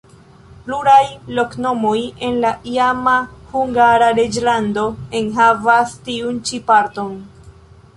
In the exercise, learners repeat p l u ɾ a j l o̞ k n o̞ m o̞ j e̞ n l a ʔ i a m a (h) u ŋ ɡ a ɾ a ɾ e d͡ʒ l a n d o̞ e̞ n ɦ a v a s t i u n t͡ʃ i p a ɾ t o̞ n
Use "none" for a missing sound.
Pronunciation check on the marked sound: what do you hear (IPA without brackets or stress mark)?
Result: h